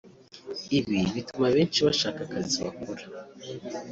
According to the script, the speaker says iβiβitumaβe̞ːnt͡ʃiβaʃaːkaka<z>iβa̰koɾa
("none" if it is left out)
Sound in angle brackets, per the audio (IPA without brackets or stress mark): z